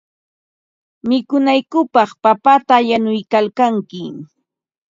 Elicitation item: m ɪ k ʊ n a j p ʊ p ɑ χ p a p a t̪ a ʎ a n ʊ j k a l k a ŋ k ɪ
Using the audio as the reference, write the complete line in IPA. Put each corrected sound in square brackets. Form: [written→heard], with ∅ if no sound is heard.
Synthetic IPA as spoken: m ɪ k ʊ n a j [p→k] ʊ p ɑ χ p a p a t̪ a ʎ a n ʊ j k a l k a ŋ k ɪ